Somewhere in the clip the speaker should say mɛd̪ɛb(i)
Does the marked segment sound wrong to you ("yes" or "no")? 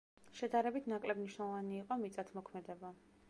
yes